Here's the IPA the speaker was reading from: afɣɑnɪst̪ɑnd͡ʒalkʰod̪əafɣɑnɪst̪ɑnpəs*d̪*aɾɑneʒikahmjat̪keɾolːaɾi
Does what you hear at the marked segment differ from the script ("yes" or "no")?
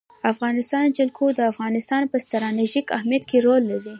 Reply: yes